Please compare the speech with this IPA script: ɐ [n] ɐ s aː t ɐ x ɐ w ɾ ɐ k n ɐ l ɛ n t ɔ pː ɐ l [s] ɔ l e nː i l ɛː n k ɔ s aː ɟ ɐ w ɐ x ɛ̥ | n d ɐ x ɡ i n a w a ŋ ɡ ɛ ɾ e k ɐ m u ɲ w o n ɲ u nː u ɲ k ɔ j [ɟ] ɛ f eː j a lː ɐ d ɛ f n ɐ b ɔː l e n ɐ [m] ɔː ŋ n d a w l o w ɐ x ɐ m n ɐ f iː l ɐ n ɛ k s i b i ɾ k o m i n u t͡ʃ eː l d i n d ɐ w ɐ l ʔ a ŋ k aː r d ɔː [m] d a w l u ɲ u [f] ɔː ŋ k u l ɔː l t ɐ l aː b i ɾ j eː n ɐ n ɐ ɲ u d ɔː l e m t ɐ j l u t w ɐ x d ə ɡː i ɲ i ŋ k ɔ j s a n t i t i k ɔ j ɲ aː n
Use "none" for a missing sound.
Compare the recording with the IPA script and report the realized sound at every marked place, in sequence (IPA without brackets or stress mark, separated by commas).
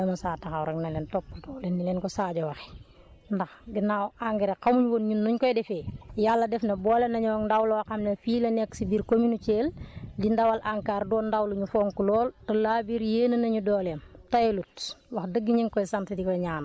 m, t, d, ɲ, n, f